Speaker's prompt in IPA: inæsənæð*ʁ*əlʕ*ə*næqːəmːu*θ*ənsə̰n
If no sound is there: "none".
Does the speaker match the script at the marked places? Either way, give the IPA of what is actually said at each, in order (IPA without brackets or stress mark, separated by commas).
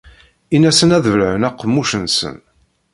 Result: v, ə, ʃ